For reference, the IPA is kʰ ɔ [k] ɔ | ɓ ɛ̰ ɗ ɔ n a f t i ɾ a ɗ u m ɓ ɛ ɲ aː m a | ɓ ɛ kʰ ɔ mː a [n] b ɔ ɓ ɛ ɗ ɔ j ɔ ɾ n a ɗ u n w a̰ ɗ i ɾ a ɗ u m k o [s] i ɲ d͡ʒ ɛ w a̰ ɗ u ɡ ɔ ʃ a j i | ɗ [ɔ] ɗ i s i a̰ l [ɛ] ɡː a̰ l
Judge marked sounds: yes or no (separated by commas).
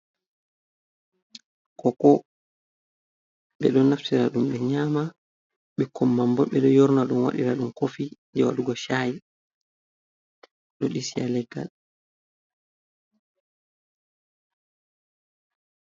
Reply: yes, no, no, yes, yes